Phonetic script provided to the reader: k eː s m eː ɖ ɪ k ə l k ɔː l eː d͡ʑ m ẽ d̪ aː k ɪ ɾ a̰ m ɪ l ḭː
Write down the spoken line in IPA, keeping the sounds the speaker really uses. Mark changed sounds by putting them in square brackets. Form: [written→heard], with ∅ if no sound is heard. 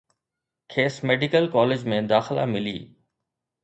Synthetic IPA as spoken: [k→kʰ] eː s m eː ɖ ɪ k ə l k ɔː l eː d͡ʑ m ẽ d̪ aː [k→x] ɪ [ɾ→l] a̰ m ɪ l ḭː